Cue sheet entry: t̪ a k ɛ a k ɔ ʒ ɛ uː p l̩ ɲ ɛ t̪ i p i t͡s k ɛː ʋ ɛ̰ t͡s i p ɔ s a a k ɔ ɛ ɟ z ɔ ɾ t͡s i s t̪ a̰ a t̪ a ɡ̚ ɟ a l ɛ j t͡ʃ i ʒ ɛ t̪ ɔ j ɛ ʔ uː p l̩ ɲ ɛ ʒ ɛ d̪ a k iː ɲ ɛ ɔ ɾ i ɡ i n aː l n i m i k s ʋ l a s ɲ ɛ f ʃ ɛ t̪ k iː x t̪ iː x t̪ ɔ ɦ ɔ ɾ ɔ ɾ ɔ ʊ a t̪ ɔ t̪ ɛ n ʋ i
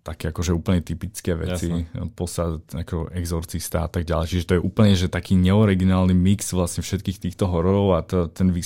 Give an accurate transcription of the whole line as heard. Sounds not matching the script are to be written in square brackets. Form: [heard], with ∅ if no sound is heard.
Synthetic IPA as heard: t̪ a k ɛ a k ɔ ʒ ɛ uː p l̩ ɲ ɛ t̪ i p i t͡s k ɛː ʋ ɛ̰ t͡s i p ɔ s a a k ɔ ɛ [ɡ] z ɔ ɾ t͡s i s t̪ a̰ a t̪ a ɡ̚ ɟ a l ɛ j t͡ʃ i ʒ ɛ t̪ ɔ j ɛ ʔ uː p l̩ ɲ ɛ ʒ ɛ [t̪] a k iː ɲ ɛ ɔ ɾ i ɡ i n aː l n i m i k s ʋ l a s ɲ ɛ f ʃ ɛ t̪ k iː x t̪ iː x t̪ ɔ ɦ ɔ ɾ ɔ ɾ ɔ ʊ a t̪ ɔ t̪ ɛ n ʋ i